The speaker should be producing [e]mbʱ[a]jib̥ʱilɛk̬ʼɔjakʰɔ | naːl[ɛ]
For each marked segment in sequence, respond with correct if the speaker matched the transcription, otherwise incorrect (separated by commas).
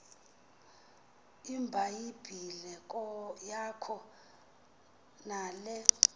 incorrect, correct, correct